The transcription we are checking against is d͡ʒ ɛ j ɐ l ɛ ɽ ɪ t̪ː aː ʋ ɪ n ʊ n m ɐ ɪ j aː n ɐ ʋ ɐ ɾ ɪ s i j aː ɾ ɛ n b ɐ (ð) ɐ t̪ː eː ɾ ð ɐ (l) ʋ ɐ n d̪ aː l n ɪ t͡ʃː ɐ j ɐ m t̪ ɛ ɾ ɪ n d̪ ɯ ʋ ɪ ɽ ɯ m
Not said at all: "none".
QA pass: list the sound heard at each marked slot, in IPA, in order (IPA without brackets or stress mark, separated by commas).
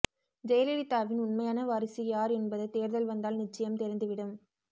ð, l